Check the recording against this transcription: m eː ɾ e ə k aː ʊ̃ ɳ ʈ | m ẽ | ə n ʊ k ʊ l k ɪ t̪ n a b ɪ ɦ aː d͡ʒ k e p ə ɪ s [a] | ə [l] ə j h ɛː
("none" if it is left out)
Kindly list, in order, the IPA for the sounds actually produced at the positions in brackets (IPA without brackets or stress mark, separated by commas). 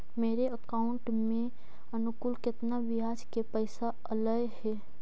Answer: a, l